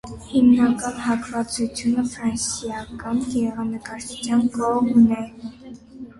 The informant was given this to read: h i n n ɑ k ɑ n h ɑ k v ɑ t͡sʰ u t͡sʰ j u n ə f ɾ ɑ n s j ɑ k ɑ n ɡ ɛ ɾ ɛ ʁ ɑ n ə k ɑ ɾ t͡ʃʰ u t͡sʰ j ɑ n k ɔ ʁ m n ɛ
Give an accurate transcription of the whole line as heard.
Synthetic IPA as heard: h i m n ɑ k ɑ n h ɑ k v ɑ t͡s u t͡sʰ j u n ə f ɾ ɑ n s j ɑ k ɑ n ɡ ɛ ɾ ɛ ʁ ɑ n ə k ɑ ɾ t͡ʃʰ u t͡sʰ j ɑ n k ɔ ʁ m n ɛ